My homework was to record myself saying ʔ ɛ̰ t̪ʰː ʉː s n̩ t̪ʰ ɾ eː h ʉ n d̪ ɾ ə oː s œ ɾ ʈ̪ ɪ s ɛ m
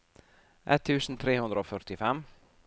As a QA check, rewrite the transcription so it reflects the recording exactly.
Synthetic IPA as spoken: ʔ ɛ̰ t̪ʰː ʉː s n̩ t̪ʰ ɾ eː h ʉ n d̪ ɾ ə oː f œ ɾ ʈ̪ ɪ f ɛ m